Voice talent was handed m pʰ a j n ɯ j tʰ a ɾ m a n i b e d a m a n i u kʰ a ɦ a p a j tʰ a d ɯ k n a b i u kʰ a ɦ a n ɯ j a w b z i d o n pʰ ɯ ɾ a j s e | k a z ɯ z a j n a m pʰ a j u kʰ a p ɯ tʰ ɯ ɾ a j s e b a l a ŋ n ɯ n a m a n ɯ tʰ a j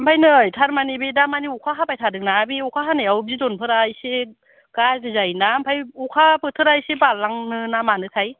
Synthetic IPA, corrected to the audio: m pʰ a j n ɯ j tʰ a ɾ m a n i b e d a m a n i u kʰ a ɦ a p a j tʰ a d ɯ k n a b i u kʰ a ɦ a n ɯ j a w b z i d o n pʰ ɯ ɾ a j s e | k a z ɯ z a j n a m pʰ a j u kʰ a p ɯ tʰ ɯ ɾ a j s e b a l a ŋ n ɯ n a m a n ɯ tʰ a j